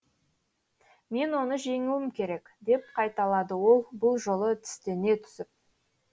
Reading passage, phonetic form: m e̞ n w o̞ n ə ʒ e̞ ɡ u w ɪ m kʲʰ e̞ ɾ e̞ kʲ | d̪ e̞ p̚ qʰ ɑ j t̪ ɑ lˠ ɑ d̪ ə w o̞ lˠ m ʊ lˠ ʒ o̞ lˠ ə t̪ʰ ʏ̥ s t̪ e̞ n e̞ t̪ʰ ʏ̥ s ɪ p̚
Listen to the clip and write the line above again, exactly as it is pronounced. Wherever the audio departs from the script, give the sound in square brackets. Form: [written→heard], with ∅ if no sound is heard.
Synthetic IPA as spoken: m e̞ n w o̞ n ə ʒ e̞ [ɡ→ŋ] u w ɪ m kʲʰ e̞ ɾ e̞ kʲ | d̪ e̞ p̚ qʰ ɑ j t̪ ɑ lˠ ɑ d̪ ə w o̞ lˠ [m→b] ʊ lˠ ʒ o̞ lˠ ə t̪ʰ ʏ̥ s t̪ e̞ n e̞ t̪ʰ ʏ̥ s ɪ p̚